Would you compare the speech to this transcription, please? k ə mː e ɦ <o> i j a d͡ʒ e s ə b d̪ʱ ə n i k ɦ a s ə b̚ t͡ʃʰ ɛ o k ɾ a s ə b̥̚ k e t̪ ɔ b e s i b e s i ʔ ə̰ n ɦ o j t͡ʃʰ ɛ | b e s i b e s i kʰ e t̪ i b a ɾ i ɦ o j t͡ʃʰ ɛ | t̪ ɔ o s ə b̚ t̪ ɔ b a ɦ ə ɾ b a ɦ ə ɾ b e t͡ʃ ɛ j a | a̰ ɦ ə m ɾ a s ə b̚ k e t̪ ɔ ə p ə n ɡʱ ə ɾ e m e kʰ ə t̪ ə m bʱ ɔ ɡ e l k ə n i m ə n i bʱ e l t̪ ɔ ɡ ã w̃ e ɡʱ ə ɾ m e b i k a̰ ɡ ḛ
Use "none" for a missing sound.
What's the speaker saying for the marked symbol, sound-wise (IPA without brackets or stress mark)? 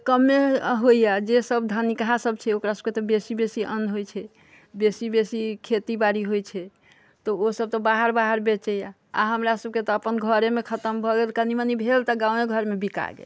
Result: o